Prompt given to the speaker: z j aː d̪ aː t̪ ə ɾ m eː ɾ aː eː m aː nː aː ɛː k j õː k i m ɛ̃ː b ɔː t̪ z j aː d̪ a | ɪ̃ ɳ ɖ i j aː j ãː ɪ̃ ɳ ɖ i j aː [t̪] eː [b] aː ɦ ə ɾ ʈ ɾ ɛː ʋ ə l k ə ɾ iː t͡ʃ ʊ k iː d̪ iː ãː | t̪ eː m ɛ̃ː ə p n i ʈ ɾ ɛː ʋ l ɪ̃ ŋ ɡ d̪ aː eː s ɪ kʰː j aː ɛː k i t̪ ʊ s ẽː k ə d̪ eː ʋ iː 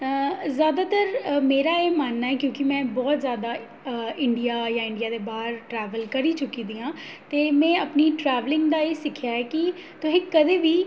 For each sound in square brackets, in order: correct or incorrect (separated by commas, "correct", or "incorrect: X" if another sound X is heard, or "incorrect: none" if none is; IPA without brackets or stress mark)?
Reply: incorrect: d̪, correct